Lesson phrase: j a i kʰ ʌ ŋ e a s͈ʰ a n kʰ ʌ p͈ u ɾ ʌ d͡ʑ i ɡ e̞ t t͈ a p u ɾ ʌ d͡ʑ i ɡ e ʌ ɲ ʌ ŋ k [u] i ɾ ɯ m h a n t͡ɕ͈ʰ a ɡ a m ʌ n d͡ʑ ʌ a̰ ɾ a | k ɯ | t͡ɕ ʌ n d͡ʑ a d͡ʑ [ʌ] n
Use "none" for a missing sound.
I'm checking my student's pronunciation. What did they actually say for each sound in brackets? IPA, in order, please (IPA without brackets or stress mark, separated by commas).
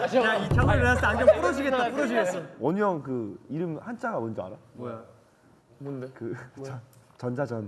ɯ, ʌ